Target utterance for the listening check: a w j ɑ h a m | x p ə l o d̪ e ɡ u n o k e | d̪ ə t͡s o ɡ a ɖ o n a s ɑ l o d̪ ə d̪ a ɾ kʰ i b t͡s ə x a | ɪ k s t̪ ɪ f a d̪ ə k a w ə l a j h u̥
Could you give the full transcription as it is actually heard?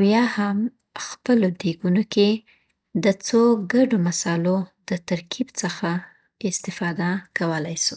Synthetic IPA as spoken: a w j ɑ h a m | x p ə l o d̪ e ɡ u n o k e | d̪ ə t͡s o ɡ a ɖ o m a s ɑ l o d̪ ə t̪ a ɾ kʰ i b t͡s ə x a | ɪ s t̪ ɪ f ɑ d̪ a k a w ə l a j s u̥